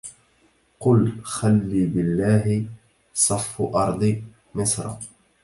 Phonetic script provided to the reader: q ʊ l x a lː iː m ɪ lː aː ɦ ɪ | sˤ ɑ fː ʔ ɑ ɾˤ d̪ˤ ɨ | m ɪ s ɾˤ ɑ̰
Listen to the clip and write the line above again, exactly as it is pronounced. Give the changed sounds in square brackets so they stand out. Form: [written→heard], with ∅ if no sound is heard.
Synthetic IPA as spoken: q ʊ l x a lː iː [m→b] ɪ lː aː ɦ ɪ | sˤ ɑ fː ʔ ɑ ɾˤ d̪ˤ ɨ | m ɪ s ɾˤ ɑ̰